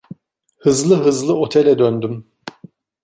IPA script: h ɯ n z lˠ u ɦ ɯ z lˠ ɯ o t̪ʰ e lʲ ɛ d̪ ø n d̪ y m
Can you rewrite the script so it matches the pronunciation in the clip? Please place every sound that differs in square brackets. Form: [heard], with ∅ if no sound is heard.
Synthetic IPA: h ɯ [∅] z lˠ [ɯ] ɦ ɯ z lˠ ɯ o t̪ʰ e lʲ ɛ d̪ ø n d̪ y m